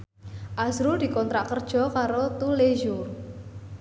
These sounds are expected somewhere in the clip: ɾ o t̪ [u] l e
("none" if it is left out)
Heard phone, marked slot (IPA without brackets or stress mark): u